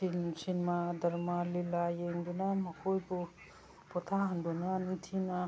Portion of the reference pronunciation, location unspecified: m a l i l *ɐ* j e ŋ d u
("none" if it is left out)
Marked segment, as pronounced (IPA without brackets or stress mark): a